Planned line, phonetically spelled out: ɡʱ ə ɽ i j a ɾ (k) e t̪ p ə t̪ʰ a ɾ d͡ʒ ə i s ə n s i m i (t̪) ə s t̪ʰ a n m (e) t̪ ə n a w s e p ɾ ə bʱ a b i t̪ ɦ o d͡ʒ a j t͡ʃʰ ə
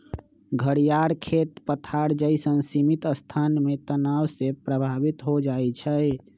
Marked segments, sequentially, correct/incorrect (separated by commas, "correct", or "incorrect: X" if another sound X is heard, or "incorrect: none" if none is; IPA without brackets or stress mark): incorrect: kʰ, correct, correct